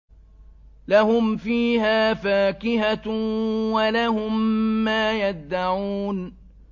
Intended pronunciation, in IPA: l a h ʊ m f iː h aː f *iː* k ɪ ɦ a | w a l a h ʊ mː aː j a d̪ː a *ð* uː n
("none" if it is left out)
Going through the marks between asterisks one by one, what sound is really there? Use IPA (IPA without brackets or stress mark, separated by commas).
aː, ʕ